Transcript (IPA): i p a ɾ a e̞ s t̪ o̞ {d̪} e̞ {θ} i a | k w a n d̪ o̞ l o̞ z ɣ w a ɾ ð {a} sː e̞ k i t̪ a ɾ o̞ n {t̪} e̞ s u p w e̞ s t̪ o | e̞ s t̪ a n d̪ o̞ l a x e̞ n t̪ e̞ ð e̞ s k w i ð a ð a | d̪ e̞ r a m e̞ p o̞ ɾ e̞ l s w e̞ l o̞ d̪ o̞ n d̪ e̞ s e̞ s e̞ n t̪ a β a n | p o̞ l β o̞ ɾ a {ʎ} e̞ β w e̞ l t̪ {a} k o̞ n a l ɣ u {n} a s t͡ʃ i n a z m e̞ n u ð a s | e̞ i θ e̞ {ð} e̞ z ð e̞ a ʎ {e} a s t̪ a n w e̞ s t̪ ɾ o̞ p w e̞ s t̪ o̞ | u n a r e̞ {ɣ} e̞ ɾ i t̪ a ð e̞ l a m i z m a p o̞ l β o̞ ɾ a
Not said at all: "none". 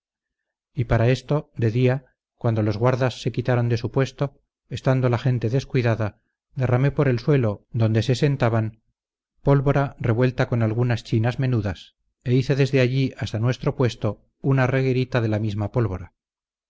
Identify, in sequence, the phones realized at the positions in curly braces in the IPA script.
d̪, ð, a, d̪, r, a, n, ð, i, ɣ

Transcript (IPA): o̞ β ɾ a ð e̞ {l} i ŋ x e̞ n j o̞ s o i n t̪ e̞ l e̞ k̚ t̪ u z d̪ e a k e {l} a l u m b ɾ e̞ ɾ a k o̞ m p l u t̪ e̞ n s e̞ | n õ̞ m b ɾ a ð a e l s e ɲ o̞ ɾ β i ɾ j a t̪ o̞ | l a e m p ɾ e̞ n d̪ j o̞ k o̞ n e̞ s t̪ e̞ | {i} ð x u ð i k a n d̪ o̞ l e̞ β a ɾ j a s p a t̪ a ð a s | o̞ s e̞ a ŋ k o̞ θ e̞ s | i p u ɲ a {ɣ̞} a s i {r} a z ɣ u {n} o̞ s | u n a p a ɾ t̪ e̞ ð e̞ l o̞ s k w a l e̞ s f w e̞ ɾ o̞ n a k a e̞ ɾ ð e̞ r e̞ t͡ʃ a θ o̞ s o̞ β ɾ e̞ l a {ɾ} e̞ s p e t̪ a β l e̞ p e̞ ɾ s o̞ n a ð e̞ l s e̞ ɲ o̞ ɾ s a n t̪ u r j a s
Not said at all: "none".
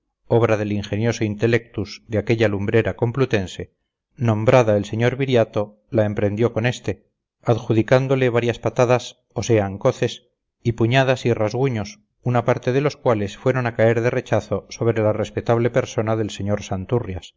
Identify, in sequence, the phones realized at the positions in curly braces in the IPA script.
l, ʎ, a, ð̞, r, ɲ, r

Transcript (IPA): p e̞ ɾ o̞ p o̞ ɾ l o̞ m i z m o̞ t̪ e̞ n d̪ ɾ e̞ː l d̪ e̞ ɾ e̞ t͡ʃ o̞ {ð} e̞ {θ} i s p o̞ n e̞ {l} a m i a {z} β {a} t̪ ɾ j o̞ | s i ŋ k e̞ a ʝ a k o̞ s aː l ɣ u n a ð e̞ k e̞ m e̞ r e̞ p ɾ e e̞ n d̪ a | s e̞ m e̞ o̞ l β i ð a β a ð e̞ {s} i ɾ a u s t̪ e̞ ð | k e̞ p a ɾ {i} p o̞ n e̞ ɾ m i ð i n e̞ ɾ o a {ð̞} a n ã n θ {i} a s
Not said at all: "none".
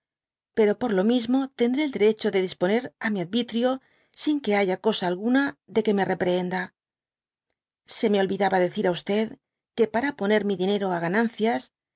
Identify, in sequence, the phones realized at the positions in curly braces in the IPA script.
ð, ð, ɾ, ð, i, θ, a, ɣ̞, j

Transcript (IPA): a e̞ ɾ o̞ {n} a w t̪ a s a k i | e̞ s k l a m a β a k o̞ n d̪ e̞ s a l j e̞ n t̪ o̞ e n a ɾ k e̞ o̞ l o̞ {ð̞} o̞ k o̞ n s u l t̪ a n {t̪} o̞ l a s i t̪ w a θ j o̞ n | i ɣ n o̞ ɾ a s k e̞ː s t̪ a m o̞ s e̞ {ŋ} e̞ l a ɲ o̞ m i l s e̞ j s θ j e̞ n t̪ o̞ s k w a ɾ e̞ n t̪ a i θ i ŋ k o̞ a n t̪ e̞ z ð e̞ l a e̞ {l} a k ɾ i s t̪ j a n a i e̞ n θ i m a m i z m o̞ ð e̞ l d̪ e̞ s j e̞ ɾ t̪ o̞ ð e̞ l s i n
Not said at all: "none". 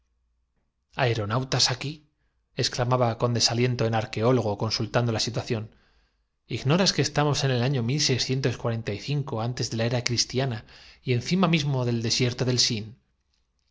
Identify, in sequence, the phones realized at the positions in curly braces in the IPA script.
n, ɣ̞, d̪, n, ɾ

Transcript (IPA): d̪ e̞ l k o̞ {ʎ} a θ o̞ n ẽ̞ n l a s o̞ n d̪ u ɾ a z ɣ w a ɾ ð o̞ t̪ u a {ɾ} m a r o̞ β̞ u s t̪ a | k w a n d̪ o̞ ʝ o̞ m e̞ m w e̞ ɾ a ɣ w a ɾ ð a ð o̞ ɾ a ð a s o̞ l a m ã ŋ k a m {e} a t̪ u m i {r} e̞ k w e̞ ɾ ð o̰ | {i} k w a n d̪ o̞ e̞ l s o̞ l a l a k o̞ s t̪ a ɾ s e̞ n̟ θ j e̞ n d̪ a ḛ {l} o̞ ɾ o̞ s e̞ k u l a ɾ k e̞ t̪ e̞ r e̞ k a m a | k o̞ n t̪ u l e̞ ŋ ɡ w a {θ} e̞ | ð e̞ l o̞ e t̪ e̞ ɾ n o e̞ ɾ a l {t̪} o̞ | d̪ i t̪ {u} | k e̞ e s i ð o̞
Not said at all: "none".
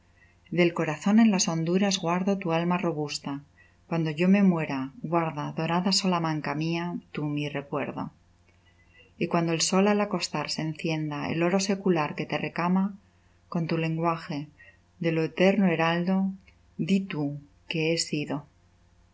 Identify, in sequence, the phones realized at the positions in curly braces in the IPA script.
ɾ, l, i, r, i, l, x, d̪, u

